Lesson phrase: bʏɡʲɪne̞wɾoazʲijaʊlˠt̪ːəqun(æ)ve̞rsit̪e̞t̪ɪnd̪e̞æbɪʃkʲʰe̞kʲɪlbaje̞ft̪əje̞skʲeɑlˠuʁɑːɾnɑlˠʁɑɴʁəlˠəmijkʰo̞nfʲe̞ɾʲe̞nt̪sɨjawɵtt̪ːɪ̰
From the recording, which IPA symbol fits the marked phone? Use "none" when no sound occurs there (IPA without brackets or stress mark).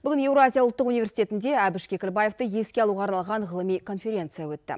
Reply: i